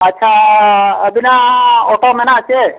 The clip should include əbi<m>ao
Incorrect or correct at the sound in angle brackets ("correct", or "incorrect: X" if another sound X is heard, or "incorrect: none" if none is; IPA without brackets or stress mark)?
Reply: incorrect: n